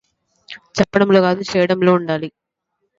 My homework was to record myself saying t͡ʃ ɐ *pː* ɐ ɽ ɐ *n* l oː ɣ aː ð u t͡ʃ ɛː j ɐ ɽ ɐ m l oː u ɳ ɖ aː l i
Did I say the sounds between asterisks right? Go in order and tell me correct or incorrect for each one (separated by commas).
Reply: correct, incorrect